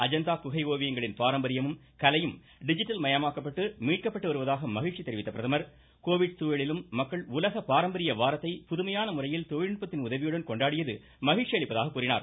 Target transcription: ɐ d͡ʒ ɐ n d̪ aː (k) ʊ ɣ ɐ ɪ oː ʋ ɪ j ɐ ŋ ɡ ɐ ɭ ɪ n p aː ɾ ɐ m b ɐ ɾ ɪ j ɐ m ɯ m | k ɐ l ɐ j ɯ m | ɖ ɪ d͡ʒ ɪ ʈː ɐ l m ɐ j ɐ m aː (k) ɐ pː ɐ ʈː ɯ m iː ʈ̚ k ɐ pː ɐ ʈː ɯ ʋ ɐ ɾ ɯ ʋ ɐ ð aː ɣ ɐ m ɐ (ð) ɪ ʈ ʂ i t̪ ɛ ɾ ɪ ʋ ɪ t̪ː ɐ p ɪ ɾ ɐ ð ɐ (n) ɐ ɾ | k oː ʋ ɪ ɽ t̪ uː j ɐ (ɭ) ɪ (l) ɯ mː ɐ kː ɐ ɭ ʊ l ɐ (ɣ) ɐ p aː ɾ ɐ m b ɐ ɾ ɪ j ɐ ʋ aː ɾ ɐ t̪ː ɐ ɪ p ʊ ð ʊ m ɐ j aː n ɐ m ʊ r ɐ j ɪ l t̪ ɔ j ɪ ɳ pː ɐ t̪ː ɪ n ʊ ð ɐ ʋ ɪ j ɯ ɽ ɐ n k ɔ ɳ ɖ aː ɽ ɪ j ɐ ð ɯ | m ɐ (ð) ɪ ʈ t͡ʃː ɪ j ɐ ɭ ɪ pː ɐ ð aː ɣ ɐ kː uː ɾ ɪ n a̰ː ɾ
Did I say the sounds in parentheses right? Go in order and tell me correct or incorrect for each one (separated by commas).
correct, correct, incorrect, incorrect, correct, correct, correct, incorrect